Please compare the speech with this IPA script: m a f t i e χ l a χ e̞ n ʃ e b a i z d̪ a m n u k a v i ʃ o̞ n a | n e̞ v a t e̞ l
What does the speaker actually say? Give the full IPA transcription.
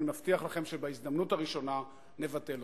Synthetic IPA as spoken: m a f t i a χ l a χ e̞ m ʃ e b a i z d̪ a m n u t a ʁ i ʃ o̞ n a | n e̞ v a t e̞ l